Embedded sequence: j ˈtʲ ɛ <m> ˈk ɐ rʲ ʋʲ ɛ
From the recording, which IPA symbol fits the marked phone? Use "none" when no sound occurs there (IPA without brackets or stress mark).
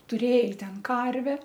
n